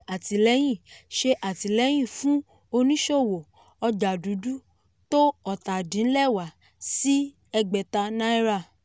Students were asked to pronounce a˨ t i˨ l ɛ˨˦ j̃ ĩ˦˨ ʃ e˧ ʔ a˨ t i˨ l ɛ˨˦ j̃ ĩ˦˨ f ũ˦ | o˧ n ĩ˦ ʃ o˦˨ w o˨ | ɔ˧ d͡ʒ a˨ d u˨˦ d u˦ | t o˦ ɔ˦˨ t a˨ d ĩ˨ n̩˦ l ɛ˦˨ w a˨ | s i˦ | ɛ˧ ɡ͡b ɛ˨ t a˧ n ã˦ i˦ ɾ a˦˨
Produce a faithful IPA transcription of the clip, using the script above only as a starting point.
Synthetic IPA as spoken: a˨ t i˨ l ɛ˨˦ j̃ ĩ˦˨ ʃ e˧ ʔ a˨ t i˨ l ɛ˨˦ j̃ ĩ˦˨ f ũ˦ | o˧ n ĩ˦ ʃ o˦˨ w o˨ | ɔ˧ d͡ʒ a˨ d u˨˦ d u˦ | t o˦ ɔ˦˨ t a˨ d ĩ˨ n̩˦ l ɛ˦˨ w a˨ | s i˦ | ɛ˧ ɡ͡b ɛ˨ t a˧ n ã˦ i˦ ɾ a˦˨

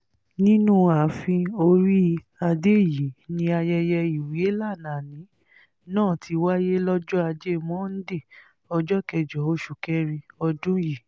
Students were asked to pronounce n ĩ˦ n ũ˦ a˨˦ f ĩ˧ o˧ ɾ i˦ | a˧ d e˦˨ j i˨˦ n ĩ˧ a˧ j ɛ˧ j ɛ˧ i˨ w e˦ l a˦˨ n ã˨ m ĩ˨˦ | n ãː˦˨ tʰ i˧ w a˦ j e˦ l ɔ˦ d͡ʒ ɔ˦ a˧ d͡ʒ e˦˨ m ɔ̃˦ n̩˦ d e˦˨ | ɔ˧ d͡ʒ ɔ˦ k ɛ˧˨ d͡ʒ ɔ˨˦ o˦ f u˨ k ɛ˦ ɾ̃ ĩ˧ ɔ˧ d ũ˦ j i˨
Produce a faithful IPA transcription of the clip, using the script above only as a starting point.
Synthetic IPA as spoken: n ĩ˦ n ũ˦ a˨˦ f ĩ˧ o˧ ɾ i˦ | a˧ d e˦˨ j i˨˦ n ĩ˧ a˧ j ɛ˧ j ɛ˧ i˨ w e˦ l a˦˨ n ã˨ n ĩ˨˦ | n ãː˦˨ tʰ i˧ w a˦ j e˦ l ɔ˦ d͡ʒ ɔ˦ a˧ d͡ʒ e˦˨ m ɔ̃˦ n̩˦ d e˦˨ | ɔ˧ d͡ʒ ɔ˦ k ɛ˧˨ d͡ʒ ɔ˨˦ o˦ ʃ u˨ k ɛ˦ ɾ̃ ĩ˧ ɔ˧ d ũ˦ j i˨

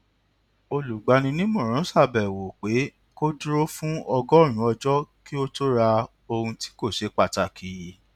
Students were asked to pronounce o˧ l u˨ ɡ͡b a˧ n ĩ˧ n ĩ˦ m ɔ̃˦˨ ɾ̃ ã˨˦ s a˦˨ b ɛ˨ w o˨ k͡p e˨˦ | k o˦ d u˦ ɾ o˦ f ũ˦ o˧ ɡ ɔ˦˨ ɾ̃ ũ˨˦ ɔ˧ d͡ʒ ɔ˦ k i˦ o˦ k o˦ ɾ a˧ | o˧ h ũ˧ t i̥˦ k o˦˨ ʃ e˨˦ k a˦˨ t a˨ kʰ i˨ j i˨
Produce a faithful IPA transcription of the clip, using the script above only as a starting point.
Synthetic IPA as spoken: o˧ l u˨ ɡ͡b a˧ n ĩ˧ n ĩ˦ m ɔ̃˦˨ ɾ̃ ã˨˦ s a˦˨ b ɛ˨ w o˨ k͡p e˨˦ | k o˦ d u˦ ɾ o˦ f ũ˦ ɔ˧ ɡ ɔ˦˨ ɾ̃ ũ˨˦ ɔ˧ d͡ʒ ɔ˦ k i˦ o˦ t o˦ ɾ a˧ | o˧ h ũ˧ t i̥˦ k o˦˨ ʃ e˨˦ k͡p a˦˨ t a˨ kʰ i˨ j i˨

